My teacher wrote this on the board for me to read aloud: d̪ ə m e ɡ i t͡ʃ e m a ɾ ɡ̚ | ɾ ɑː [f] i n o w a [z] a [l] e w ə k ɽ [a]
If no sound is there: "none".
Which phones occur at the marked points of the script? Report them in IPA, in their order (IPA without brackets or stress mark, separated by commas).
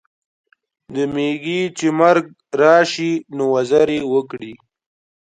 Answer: ʃ, z, ɾ, i